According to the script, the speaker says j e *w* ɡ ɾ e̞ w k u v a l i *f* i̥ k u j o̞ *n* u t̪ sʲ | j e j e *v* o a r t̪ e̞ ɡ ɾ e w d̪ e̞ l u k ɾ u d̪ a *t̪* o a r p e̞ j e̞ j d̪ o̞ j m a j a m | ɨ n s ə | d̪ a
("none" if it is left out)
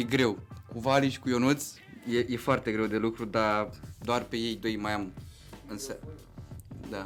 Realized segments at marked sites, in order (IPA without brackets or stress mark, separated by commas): none, ʃ, n, f, d̪